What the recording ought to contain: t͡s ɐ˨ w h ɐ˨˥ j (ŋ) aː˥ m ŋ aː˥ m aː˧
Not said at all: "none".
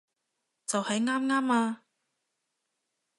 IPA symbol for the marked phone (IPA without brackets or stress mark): ŋ